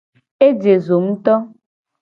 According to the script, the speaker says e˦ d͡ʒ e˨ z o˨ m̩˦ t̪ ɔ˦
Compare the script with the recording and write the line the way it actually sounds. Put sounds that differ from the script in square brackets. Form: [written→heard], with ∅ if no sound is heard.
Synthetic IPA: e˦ d͡ʒ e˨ z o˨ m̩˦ t̪ ɔ˦